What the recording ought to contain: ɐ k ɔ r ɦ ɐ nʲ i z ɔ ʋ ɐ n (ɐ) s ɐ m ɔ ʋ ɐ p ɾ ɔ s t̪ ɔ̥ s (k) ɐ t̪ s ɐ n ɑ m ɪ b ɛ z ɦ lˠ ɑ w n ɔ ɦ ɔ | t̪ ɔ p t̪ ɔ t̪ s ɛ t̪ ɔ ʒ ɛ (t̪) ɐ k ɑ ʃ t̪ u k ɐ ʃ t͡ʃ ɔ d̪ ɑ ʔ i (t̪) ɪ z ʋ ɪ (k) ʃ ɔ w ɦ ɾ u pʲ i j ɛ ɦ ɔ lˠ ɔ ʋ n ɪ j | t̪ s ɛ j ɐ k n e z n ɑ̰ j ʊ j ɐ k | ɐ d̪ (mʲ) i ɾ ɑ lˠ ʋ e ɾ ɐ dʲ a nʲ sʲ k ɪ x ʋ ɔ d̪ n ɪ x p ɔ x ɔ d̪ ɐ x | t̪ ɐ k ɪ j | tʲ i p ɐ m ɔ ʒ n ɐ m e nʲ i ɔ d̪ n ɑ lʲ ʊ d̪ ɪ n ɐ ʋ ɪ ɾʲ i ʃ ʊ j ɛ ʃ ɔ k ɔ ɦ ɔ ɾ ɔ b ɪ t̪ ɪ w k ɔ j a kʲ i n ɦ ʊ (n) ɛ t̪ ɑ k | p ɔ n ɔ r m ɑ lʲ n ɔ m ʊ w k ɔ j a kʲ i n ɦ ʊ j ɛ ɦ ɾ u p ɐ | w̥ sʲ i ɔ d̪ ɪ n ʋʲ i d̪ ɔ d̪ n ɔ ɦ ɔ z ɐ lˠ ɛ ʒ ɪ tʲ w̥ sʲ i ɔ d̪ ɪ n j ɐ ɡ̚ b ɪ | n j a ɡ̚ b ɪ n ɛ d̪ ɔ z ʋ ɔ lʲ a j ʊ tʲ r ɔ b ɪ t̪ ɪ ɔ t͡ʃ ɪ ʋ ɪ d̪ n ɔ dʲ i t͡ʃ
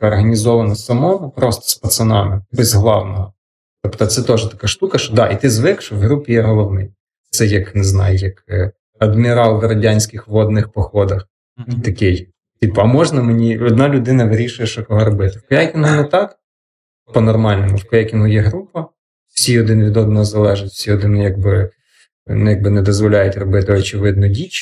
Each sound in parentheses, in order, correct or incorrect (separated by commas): correct, incorrect, correct, correct, correct, correct, correct